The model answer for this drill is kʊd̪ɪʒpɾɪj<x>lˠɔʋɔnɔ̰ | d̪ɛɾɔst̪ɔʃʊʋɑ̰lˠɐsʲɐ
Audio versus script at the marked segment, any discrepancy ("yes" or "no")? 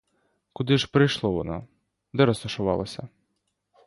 yes